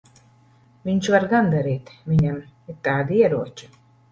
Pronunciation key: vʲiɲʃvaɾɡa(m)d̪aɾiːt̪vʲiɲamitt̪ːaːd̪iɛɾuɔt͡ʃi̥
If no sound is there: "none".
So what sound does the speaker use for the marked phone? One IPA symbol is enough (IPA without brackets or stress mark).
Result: n